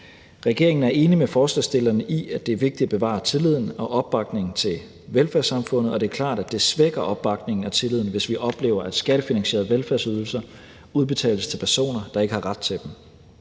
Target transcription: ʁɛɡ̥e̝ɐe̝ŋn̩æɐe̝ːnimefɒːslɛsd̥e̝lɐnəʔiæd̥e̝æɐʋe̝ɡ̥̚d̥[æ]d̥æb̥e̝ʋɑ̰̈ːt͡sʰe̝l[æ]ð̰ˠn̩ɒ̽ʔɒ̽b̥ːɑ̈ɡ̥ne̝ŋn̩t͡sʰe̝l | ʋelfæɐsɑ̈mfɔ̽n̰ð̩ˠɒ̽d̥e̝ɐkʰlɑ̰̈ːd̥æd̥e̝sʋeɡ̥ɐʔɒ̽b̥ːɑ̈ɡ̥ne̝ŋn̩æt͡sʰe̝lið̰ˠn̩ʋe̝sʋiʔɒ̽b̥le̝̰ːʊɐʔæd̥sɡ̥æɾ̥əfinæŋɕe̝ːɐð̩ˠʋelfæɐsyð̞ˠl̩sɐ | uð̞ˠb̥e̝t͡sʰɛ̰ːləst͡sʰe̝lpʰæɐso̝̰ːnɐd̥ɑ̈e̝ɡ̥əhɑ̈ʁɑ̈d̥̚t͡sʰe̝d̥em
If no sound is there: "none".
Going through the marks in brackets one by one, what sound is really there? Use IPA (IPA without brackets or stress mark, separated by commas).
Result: i, i